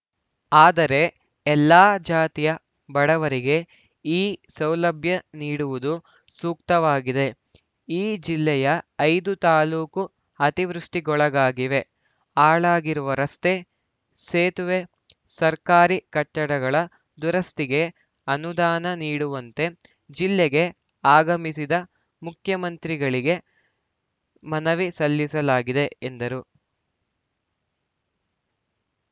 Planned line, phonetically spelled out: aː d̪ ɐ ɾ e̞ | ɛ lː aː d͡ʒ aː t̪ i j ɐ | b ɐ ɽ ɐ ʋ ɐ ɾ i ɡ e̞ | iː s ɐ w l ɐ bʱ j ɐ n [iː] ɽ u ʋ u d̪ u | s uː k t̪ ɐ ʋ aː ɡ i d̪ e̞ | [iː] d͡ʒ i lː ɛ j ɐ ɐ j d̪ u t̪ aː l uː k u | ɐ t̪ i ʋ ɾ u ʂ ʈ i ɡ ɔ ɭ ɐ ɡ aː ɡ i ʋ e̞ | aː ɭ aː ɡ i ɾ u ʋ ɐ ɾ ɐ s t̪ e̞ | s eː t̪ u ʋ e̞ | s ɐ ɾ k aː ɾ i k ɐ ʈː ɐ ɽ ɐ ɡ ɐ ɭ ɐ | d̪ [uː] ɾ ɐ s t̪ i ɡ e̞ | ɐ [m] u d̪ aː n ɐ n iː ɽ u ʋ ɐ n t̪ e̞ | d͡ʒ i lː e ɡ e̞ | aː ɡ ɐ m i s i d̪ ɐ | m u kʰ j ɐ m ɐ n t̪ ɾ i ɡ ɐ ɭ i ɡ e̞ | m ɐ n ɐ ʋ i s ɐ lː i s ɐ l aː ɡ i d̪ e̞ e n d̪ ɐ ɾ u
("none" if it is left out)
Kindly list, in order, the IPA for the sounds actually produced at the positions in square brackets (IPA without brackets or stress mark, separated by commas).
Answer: iː, iː, u, n